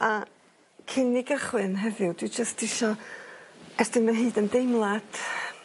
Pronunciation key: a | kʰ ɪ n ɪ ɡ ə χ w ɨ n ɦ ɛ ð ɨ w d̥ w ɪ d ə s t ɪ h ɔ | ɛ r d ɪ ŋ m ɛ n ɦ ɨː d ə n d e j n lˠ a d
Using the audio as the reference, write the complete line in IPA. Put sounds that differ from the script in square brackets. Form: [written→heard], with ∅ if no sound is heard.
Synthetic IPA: a | kʰ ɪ n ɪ ɡ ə χ w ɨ n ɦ ɛ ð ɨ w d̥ w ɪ [d→d͡ʒ] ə s t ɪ [h→ʃ] ɔ | ɛ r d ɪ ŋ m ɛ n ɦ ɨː d ə n d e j [n→m] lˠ a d